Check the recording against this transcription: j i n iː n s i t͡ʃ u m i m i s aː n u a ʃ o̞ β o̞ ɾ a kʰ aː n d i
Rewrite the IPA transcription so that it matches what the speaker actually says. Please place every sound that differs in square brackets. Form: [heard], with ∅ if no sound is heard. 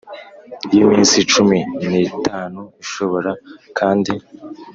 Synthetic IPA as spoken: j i [m] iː n s i t͡ʃ u m i [n] i [t] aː n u [i] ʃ o̞ β o̞ ɾ a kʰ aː n d i

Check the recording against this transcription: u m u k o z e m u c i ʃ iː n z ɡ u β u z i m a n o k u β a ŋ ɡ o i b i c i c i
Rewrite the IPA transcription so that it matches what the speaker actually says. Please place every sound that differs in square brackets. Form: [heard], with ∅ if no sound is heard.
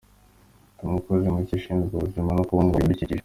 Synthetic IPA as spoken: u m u k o z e m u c i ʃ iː n z ɡ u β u z i m a n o k u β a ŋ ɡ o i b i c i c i

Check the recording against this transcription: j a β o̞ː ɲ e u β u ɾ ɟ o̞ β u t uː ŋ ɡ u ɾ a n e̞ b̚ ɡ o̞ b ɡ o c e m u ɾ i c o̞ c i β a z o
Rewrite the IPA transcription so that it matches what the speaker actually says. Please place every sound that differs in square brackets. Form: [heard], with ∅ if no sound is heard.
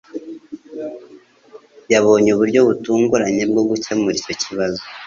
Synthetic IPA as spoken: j a β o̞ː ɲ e u β u ɾ ɟ o̞ β u t uː ŋ ɡ u ɾ a [ɲ] e̞ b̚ ɡ o̞ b ɡ [u] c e m u ɾ i c o̞ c i β a z o

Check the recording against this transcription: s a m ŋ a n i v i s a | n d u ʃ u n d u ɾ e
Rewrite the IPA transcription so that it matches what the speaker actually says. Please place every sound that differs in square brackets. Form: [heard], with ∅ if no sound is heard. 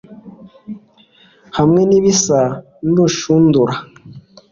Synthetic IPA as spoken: [h] a m ŋ [e] n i [β] i s a | n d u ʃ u n d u ɾ [a]

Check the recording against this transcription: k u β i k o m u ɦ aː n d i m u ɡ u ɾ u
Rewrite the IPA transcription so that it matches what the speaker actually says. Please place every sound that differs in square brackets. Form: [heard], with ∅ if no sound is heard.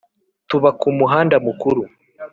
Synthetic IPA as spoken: [t] u β [a] k [u] m u ɦ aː n d [a] m u [k] u ɾ u

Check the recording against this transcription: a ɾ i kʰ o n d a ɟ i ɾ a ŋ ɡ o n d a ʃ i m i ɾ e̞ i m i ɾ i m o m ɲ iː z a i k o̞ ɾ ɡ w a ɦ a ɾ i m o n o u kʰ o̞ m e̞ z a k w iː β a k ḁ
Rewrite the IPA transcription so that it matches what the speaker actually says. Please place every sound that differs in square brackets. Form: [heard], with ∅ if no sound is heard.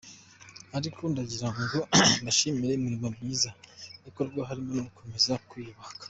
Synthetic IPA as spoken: a ɾ i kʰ o n d a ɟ i ɾ a ŋ ɡ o n d a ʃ i m i ɾ e̞ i m i ɾ i m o m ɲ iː z a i k o̞ ɾ ɡ w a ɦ a ɾ i m o n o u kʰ o̞ m e̞ z a k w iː β a k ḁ

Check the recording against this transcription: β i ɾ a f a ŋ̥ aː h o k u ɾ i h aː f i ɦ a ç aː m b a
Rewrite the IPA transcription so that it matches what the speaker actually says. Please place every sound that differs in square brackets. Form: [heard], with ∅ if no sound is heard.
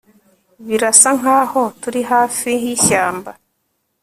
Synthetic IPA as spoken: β i ɾ a [s] a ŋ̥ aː h o [t] u ɾ i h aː f i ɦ [i] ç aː m b a

